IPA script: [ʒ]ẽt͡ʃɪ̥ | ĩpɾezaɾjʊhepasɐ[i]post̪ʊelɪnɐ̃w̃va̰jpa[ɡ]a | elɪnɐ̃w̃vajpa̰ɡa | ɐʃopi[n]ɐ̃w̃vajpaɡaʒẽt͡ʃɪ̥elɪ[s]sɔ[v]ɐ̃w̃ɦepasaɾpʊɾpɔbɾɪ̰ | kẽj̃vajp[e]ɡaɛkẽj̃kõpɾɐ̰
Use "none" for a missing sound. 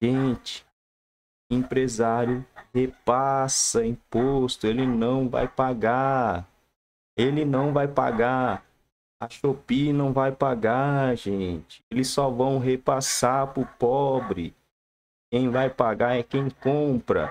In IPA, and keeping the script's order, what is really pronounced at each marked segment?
ʒ, ĩ, ɡ, n, s, v, a

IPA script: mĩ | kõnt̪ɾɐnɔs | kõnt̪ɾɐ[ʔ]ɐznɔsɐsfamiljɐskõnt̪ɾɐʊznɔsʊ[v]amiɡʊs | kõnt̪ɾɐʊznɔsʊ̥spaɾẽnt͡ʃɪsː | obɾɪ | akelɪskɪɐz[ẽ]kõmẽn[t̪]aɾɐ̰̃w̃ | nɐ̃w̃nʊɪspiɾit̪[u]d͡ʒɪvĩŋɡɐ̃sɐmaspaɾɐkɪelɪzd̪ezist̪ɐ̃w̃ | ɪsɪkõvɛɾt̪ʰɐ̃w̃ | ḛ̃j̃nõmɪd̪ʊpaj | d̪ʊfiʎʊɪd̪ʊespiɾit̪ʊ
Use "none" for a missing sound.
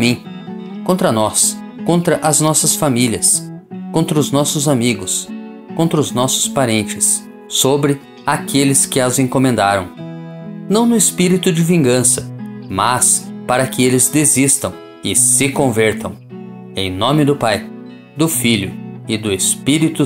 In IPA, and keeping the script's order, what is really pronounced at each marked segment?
ʔ, z, ẽ, d̪, ʊ

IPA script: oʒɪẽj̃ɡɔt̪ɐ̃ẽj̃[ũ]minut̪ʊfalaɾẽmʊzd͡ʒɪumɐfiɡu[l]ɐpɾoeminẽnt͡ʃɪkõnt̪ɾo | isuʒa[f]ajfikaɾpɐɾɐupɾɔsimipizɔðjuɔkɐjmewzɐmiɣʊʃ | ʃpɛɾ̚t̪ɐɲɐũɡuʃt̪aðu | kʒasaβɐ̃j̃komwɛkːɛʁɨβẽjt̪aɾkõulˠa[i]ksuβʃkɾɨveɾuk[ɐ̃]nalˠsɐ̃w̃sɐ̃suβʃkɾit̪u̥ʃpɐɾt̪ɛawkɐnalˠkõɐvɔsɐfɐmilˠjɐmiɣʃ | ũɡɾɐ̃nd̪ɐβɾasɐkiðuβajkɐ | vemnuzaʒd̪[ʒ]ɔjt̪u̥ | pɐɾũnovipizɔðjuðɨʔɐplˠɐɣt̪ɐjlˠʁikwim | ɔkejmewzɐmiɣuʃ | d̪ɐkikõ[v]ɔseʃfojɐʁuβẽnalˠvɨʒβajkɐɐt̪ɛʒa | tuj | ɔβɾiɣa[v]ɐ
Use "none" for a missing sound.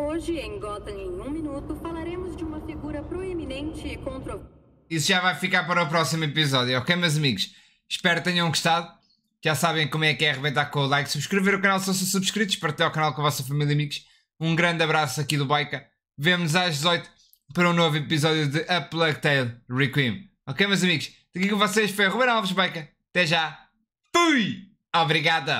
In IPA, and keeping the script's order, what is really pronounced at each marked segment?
ũ, ɾ, v, j, ɐ, z, v, ð

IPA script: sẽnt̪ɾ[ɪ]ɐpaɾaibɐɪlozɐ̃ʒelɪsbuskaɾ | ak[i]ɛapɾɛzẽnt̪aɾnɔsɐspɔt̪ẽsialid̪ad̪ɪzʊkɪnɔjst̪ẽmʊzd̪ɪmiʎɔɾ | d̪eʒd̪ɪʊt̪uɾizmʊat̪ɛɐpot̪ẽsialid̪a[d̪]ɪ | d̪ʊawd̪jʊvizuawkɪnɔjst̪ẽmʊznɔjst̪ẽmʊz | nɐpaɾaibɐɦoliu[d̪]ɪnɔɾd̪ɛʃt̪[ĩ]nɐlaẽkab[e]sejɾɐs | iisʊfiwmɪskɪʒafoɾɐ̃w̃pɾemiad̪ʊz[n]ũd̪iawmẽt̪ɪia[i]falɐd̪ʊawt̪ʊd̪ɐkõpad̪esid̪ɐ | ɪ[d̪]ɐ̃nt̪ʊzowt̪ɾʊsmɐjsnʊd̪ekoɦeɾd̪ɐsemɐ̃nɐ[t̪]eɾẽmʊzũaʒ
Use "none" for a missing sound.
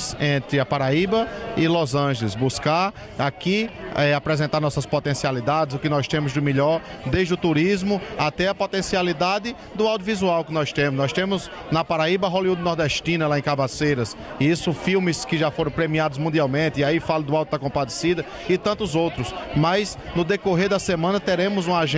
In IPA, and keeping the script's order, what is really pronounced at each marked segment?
ɪ, i, d̪, d̪, ĩ, a, m, i, t̪, t̪

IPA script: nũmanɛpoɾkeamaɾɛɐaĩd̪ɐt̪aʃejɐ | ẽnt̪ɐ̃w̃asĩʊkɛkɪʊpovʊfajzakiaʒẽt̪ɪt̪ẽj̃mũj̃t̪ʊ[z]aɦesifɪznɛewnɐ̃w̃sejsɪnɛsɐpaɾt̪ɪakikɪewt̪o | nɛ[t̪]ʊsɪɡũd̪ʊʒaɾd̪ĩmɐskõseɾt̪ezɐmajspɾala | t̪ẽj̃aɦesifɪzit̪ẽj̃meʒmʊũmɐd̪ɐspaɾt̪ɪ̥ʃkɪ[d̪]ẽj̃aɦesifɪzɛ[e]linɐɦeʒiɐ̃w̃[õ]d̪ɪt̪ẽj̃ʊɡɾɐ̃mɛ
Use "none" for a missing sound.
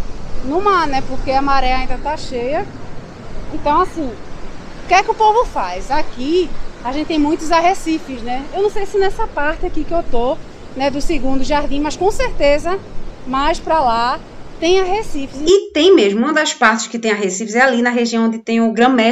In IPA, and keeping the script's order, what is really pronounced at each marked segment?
z, d̪, t̪, a, õ

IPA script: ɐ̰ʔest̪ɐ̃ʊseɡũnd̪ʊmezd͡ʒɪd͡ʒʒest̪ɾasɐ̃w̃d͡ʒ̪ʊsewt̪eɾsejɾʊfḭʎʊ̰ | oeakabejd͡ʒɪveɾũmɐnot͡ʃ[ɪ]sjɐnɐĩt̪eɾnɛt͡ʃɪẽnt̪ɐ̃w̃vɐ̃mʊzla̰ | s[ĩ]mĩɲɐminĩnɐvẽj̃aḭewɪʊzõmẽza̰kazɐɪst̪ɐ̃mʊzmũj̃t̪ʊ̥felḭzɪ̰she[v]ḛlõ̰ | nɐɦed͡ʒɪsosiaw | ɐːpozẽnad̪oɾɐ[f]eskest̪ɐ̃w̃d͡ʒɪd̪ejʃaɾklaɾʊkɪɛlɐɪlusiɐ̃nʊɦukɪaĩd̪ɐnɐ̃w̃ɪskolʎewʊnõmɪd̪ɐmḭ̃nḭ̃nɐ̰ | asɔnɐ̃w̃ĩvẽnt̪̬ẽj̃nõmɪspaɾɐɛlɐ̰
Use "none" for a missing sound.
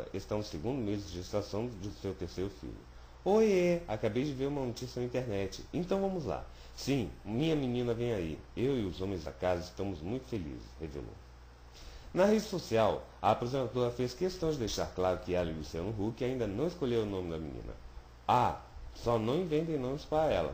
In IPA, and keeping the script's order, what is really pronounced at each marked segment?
i, ĩ, v, f

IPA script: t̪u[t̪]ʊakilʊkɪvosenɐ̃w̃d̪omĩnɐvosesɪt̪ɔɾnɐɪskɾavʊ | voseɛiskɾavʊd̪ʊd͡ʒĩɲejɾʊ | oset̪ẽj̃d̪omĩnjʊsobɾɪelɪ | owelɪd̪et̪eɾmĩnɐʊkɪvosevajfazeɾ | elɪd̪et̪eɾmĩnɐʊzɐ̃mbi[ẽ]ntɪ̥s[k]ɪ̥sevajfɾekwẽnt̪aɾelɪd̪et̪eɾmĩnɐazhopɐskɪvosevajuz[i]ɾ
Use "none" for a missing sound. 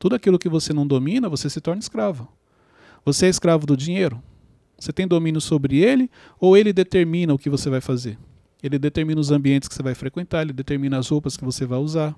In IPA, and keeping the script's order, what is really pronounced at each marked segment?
d̪, ẽ, k, a

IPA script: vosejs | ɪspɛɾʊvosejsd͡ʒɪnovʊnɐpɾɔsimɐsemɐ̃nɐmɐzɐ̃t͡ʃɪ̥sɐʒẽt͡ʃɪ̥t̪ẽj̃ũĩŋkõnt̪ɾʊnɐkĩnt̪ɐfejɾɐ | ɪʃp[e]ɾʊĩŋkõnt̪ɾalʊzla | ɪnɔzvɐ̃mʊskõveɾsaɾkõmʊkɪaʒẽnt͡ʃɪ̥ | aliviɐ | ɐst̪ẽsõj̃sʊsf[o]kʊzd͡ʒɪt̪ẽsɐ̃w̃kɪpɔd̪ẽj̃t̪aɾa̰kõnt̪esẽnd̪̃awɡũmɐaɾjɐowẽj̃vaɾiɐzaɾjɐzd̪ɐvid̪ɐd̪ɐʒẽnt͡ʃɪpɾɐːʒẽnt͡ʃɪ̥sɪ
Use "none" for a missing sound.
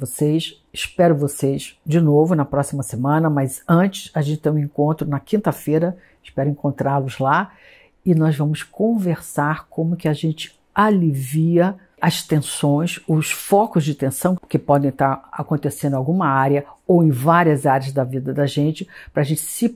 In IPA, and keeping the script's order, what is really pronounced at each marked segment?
ɛ, ɔ

